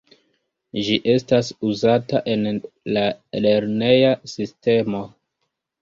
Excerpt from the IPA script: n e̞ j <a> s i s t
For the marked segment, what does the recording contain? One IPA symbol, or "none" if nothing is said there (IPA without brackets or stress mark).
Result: a